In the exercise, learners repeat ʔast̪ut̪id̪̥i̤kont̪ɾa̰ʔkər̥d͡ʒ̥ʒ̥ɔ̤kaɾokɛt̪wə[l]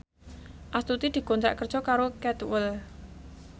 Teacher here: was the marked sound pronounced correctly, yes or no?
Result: yes